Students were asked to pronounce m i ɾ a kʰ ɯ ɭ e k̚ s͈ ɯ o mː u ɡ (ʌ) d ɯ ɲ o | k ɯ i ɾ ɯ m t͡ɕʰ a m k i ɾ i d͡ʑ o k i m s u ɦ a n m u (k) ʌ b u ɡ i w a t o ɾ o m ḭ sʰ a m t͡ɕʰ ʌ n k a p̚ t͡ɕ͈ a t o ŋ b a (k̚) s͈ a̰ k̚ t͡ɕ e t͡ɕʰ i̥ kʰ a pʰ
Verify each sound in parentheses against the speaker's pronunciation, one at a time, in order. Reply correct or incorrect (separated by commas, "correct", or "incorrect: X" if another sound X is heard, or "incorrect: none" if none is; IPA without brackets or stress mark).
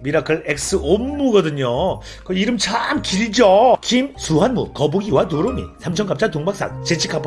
correct, correct, correct